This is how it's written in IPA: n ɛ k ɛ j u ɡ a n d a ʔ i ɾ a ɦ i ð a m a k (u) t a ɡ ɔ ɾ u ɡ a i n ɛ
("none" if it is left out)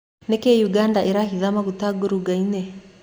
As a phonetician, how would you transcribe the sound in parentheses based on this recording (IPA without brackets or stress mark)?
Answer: u